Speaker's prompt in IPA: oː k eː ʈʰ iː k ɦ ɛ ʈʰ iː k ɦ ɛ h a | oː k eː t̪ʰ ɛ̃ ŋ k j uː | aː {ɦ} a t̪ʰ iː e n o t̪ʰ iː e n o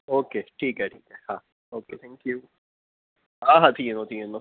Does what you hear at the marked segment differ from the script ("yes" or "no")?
no